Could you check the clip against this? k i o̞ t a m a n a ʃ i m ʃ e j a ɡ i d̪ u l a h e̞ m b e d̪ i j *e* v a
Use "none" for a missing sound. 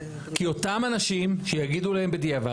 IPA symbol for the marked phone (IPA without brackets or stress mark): a